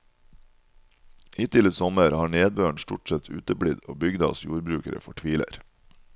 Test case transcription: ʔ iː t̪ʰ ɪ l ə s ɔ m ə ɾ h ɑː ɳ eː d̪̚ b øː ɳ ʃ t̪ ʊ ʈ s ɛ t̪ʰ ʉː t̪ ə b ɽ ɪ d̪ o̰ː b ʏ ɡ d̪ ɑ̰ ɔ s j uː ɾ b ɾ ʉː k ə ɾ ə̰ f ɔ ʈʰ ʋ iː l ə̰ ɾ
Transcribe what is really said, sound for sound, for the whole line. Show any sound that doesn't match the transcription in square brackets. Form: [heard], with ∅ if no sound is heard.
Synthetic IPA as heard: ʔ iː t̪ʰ ɪ l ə s ɔ m ə ɾ h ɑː ɳ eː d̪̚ b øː ɳ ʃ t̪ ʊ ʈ s ɛ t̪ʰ ʉː t̪ ə b ɽ ɪ d̪ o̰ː b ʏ ɡ d̪ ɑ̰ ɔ s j uː ɾ b ɾ ʉː k ə ɾ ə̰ f ɔ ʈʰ ʋ iː l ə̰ ɾ